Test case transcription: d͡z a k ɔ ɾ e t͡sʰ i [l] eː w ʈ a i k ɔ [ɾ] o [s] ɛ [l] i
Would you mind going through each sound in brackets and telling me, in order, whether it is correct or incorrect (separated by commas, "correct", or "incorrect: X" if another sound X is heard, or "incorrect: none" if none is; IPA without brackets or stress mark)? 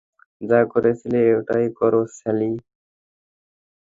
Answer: correct, correct, correct, correct